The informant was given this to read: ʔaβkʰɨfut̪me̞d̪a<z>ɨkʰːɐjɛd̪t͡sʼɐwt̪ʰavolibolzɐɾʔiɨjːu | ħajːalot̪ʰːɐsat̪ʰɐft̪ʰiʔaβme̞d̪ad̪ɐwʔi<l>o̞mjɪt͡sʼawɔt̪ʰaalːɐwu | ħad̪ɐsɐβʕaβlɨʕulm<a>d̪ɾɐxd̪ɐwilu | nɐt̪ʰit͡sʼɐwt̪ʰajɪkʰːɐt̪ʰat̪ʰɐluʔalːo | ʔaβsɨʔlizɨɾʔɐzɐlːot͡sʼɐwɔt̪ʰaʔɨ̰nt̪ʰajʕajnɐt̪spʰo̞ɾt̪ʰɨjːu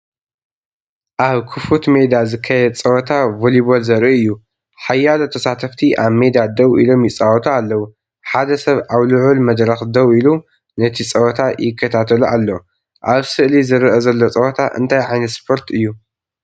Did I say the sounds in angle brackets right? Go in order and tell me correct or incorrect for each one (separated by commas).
correct, correct, incorrect